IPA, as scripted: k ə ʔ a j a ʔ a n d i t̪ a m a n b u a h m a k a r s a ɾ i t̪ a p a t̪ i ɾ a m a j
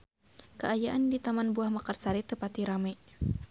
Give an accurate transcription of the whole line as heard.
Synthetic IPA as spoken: k ə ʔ a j a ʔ a n d i t̪ a m a n b u a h m a k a r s a ɾ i t̪ ə p a t̪ i ɾ a m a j